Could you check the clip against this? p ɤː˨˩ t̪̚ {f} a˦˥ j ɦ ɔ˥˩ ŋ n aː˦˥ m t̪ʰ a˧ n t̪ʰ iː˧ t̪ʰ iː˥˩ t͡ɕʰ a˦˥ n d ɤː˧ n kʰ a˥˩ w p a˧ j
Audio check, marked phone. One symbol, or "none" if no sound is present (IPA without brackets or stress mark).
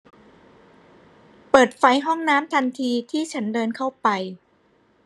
f